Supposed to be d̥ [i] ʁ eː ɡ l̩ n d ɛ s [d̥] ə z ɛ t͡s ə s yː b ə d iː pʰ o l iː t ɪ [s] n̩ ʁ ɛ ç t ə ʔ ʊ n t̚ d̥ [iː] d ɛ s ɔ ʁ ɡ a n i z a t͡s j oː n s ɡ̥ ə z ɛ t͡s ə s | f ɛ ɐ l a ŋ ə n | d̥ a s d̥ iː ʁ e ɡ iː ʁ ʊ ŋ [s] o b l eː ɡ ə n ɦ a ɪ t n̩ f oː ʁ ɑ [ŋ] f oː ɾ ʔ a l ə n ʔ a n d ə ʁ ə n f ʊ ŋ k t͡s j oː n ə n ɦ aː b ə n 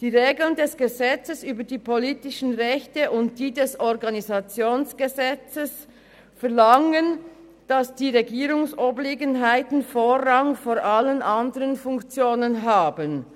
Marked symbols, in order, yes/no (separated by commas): no, no, no, yes, yes, yes